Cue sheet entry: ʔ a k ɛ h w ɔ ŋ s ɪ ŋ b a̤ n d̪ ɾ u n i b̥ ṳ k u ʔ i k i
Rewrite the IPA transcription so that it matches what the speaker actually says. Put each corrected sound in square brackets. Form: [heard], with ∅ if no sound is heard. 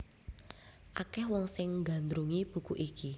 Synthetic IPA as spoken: ʔ a k ɛ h w ɔ ŋ s ɪ ŋ [ɡ] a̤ n d̪ ɾ u [ŋ] i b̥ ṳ k u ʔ i k i